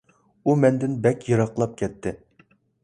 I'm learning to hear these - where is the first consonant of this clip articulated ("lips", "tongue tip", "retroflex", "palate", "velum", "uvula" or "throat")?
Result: lips